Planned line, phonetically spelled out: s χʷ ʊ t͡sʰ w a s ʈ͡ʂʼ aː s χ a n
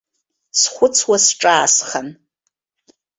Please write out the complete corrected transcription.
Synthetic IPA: s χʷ ʊ t͡sʰ w a s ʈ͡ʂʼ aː s χ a n